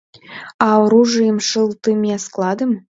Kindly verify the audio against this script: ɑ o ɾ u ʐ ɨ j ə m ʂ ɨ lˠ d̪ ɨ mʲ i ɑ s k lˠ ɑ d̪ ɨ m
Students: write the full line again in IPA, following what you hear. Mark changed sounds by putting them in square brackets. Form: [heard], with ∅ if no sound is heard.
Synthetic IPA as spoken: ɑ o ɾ u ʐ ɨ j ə m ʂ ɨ lˠ [t̪] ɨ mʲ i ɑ s k lˠ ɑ d̪ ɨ m